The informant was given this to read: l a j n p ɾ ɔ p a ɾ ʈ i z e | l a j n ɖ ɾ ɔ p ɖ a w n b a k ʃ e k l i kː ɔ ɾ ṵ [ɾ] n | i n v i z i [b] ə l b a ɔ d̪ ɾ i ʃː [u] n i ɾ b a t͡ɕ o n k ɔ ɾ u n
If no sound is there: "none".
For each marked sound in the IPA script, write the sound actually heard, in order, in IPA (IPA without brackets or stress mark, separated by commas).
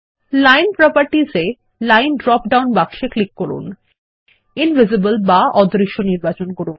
none, b, o